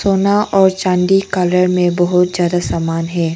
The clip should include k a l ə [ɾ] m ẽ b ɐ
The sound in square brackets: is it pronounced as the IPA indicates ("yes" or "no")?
yes